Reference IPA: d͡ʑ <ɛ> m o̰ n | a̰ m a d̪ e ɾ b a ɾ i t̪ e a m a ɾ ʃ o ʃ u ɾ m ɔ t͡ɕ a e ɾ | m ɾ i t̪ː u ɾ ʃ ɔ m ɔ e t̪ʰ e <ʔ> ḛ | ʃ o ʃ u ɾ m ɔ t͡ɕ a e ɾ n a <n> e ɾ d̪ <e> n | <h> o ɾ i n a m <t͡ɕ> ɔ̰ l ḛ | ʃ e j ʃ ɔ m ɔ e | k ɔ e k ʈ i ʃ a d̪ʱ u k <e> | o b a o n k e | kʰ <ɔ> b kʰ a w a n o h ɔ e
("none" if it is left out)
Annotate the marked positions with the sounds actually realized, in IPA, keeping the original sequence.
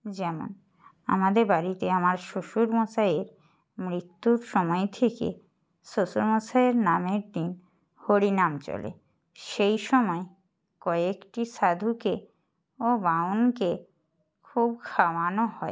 ɛ, k, m, i, h, t͡ɕ, e, u

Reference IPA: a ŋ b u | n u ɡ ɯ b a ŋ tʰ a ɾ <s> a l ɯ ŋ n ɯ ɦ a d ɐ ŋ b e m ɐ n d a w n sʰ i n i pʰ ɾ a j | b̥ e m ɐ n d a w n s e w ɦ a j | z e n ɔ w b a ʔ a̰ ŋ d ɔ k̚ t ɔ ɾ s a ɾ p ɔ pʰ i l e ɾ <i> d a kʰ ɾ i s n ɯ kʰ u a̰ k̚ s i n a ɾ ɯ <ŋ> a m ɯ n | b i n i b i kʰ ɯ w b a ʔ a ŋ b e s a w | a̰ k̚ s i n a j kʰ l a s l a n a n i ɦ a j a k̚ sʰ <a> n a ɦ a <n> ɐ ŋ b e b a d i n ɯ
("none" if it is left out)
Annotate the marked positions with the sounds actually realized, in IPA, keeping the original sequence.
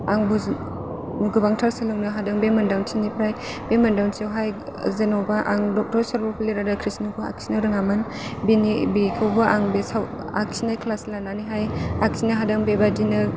s, a, ŋ, i, d

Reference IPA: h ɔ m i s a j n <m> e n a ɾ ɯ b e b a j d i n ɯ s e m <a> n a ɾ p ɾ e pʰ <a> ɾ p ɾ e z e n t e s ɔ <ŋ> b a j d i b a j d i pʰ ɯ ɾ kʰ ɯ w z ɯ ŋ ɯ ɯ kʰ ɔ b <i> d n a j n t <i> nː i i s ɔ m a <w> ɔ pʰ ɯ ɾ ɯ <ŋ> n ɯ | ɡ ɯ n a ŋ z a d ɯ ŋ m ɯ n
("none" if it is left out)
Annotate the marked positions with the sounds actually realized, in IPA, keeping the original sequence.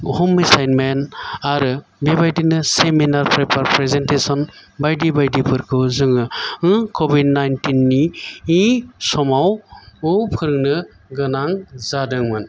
m, i, a, n, i, i, w, ŋ

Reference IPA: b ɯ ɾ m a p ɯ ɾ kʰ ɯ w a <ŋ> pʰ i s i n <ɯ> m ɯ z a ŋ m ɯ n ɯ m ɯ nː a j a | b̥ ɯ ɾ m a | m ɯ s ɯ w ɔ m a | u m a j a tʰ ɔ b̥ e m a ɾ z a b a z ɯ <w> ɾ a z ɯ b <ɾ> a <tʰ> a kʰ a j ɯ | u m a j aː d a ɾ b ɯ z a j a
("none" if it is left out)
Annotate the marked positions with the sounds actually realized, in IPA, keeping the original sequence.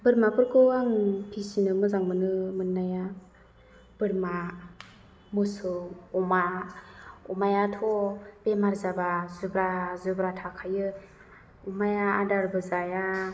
ŋ, ɯ, b, ɾ, tʰ

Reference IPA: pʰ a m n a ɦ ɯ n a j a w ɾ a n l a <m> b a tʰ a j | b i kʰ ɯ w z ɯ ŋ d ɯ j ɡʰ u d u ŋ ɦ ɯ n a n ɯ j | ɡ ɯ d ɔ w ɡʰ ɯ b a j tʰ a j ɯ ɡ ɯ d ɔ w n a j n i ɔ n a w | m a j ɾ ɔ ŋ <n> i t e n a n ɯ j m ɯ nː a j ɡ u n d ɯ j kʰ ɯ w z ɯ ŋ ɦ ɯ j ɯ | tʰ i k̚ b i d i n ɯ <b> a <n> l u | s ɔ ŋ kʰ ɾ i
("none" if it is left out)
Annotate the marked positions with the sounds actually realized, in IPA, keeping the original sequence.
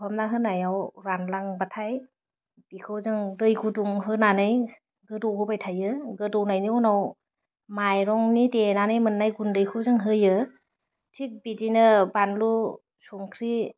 ŋ, n, b, n

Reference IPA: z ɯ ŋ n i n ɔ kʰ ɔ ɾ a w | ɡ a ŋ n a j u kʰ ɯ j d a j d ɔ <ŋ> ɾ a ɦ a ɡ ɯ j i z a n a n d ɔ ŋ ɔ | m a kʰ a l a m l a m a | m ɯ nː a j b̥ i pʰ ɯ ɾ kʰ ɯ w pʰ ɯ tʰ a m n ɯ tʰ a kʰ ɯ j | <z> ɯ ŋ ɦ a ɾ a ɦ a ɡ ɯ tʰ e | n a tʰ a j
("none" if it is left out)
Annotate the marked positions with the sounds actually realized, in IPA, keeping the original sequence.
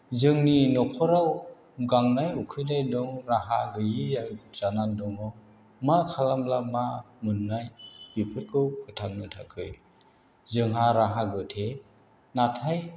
ŋ, z

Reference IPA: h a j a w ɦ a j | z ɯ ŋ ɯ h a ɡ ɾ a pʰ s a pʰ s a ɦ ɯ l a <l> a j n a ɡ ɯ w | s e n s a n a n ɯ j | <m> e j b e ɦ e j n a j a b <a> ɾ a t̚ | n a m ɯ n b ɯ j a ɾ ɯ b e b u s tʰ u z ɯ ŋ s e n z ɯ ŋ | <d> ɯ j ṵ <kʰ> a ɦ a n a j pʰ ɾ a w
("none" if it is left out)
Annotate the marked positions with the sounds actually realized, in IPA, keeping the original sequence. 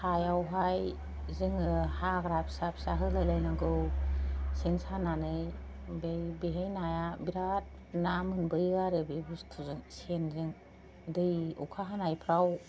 l, b, i, d, kʰ

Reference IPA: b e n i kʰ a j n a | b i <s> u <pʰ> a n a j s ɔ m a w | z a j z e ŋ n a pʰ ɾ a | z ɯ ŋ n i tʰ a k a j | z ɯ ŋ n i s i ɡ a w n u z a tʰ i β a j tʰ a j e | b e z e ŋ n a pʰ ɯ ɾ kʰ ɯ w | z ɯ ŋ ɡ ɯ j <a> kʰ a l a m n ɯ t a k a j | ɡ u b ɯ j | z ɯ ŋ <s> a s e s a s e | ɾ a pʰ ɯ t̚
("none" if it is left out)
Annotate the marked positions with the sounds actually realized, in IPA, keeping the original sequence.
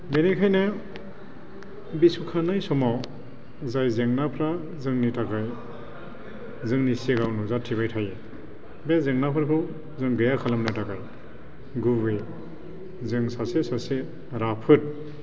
s, kʰ, a, s

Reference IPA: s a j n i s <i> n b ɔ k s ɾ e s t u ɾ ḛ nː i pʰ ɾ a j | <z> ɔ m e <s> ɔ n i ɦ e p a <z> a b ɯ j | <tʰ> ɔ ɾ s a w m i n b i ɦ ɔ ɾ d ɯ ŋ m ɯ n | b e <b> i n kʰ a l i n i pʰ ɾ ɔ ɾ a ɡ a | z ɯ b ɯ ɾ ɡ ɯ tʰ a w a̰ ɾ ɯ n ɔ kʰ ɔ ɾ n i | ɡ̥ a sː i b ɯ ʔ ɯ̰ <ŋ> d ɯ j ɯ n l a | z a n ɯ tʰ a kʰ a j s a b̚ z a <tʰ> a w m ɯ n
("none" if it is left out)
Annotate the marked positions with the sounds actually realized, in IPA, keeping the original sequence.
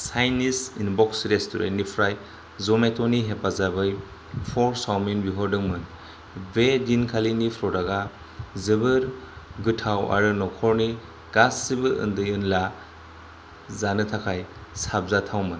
i, z, t, z, pʰ, d, n, tʰ

